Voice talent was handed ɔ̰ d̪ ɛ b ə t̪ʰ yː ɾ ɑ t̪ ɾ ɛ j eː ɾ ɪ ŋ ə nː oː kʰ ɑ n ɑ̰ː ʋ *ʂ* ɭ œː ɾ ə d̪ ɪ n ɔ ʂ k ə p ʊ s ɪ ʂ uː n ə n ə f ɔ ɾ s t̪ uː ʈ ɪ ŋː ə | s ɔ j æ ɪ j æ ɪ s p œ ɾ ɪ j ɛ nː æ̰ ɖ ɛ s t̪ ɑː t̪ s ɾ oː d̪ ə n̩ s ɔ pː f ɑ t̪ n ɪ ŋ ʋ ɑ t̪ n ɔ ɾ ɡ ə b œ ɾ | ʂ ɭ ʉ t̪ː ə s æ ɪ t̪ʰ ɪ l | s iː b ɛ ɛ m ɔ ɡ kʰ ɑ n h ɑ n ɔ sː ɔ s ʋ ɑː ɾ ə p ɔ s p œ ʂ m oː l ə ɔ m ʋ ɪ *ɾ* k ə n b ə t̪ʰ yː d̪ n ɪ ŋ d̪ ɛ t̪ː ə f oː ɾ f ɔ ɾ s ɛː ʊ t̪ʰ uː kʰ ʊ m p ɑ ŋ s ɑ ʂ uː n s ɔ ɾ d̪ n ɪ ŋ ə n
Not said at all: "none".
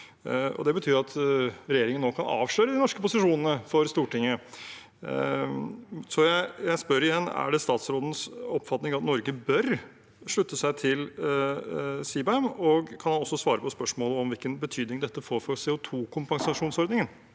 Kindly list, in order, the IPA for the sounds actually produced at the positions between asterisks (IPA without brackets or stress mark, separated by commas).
ʂ, l